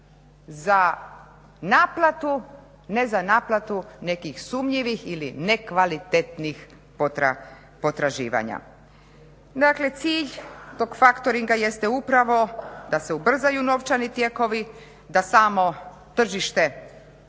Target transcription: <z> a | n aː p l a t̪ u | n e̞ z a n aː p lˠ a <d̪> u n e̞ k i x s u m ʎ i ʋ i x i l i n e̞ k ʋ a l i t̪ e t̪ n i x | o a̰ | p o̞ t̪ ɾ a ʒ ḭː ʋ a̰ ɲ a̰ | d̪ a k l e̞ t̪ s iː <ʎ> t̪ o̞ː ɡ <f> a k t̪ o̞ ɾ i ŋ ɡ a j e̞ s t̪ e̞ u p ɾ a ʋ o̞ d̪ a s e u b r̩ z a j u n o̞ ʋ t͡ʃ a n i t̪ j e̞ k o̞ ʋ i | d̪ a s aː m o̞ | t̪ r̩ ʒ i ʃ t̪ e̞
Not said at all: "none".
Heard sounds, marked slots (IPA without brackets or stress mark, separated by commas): z, t̪, ʎ, f